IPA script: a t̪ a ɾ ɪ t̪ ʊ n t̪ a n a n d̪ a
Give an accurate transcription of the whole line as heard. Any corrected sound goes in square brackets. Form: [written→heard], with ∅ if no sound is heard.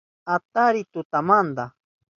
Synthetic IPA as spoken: a t̪ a ɾ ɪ t̪ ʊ [n→∅] t̪ a [n→m] a n d̪ a